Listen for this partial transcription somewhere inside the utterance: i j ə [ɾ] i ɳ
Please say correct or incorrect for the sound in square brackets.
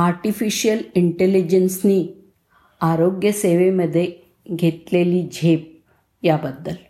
incorrect